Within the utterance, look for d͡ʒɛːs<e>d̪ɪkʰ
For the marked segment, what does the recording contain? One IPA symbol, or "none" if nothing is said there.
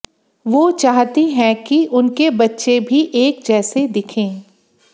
e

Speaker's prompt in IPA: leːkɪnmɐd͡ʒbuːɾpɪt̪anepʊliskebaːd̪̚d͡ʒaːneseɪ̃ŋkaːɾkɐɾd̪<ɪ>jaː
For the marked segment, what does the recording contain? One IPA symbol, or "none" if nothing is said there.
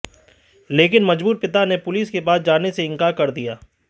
i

